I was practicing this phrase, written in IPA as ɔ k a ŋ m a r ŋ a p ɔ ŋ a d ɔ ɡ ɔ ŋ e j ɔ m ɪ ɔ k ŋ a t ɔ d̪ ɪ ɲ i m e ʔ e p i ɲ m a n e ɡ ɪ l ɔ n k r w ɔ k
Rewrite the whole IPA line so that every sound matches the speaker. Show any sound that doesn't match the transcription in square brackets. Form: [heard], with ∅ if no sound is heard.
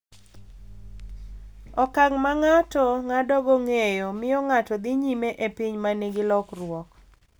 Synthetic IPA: ɔ k a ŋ m a [∅] ŋ a [t] ɔ ŋ a d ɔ ɡ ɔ ŋ e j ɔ m ɪ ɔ [∅] ŋ a t ɔ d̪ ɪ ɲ i m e ʔ e p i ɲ m a n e ɡ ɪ l ɔ [∅] k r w ɔ k